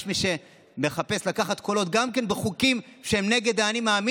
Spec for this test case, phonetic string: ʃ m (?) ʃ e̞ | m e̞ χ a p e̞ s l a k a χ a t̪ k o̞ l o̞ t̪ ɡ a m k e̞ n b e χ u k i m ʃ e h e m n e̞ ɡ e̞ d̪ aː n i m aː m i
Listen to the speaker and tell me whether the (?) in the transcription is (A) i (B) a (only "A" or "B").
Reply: A